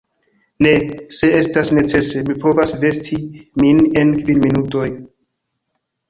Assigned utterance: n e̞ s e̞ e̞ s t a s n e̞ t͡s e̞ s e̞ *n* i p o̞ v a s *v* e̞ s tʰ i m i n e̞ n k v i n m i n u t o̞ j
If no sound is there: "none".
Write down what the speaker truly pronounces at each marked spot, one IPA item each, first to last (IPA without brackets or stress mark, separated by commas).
m, v